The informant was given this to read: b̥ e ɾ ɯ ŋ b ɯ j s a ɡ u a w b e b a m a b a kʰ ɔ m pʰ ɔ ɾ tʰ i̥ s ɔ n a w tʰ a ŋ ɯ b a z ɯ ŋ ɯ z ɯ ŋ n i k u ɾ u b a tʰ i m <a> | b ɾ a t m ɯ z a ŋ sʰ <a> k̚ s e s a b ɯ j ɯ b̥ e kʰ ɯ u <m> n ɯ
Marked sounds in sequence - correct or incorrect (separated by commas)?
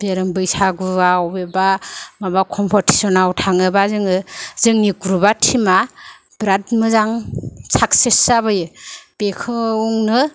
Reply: correct, correct, incorrect